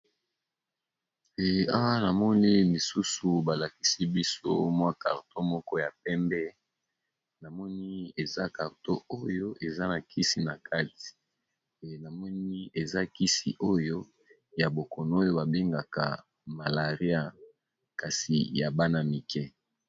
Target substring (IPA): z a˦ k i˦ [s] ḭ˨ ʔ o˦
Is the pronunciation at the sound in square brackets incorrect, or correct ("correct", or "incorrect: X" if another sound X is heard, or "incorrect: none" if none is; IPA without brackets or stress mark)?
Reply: correct